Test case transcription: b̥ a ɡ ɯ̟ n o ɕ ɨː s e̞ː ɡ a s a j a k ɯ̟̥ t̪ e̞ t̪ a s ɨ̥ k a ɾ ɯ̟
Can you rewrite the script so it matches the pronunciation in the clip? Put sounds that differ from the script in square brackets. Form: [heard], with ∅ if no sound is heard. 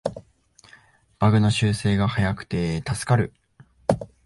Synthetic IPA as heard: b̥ a ɡ ɯ̟ n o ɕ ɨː s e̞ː ɡ a [h] a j a k ɯ̟̥ t̪ e̞ t̪ a s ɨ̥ k a ɾ ɯ̟